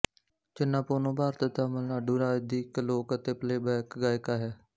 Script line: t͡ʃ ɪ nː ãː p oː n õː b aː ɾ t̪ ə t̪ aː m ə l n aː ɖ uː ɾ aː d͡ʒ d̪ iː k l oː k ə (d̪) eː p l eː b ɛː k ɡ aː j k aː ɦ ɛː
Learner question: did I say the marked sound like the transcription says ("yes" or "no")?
no